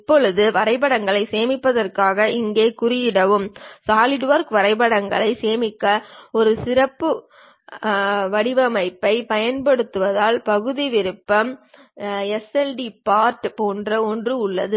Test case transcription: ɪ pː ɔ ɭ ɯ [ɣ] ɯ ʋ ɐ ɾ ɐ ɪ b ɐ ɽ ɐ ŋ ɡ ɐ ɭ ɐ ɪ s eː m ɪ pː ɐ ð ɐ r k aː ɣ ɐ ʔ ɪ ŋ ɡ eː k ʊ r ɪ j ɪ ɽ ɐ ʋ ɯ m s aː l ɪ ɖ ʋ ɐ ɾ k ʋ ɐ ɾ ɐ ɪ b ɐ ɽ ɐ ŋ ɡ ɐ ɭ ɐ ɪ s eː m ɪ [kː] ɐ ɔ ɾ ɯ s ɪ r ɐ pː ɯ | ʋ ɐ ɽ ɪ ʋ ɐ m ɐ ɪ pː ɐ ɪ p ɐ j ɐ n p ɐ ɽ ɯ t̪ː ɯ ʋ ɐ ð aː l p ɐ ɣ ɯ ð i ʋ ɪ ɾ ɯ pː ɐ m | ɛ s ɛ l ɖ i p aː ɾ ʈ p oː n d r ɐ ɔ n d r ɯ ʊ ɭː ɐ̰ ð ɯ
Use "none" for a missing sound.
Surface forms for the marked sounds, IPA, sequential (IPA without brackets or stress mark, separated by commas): ð, kː